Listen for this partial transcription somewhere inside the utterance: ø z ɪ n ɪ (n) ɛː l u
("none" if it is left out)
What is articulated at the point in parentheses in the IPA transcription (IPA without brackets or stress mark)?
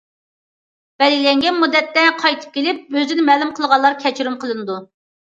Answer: m